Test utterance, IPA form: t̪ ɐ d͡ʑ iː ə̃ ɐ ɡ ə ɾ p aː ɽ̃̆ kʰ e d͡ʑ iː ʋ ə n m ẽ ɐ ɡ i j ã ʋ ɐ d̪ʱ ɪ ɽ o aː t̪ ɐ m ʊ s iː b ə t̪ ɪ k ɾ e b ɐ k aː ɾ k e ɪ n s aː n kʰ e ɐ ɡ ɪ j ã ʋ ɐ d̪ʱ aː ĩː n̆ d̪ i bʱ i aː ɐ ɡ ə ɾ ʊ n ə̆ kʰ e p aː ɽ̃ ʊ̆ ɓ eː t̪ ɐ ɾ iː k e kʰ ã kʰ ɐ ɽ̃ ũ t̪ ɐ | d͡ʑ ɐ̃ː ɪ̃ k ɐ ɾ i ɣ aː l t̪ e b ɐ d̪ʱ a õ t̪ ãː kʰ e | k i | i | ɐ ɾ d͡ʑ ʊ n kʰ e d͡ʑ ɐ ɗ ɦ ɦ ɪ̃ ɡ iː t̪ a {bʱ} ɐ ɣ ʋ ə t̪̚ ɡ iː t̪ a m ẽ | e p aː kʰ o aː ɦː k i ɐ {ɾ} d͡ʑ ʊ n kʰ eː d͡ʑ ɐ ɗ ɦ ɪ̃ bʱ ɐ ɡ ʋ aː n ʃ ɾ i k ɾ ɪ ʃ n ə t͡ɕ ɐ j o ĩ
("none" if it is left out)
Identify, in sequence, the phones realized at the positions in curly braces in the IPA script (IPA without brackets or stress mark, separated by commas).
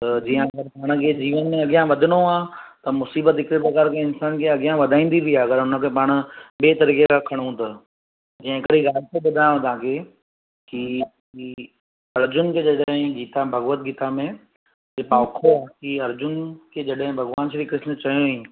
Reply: bʱ, ɾ